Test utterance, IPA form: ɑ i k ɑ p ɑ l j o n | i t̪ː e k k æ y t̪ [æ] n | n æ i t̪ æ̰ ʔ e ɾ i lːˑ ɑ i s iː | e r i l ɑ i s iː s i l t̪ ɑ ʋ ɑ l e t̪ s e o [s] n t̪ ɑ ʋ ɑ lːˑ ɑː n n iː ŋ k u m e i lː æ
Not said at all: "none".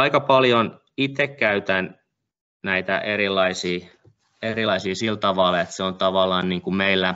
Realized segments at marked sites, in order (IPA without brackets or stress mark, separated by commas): æ, none